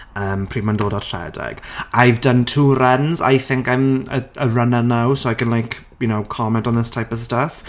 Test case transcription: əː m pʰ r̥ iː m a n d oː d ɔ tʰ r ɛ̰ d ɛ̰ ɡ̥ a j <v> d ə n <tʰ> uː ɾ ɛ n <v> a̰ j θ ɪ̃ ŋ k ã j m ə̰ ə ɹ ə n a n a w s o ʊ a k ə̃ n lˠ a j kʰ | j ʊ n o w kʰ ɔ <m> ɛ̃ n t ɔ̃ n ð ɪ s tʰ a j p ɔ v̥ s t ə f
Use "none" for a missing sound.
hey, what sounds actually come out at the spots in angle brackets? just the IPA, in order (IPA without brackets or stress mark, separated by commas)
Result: v, tʰ, z, m